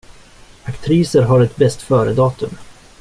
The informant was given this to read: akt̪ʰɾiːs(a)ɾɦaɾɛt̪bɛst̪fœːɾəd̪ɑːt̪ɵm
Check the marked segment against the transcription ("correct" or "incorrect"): incorrect